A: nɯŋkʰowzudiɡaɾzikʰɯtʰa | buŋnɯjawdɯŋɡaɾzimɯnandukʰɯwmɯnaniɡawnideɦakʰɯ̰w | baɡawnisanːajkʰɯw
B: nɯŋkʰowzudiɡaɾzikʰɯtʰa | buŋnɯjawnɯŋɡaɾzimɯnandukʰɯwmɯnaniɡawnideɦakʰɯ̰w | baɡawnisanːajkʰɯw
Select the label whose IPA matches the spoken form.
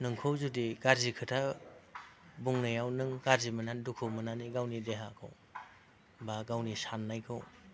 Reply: B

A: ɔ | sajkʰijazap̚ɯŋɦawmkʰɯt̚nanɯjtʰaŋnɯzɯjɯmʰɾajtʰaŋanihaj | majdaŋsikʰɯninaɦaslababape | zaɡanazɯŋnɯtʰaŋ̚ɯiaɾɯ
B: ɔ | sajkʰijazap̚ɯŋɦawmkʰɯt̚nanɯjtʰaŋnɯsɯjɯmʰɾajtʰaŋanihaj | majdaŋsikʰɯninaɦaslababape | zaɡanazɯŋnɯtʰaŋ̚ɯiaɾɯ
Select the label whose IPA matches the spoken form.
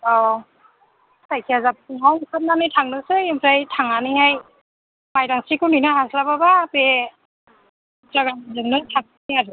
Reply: B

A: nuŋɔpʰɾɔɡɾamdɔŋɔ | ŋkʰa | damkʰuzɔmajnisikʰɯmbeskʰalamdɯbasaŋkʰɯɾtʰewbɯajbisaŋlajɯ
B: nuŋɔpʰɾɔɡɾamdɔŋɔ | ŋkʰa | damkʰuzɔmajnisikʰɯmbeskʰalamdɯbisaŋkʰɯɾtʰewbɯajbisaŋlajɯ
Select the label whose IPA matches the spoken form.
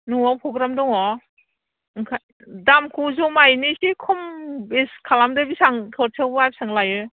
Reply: B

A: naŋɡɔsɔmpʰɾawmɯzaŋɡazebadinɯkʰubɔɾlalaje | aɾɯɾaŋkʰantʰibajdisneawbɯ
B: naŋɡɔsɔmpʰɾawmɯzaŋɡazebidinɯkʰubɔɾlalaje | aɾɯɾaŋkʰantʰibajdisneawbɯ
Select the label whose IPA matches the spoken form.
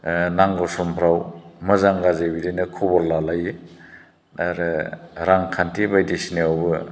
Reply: B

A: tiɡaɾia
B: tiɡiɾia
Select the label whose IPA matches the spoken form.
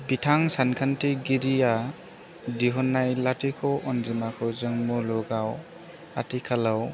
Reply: B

